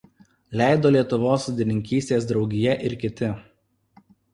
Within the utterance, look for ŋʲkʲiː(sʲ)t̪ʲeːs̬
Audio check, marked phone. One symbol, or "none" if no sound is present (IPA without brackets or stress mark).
sʲ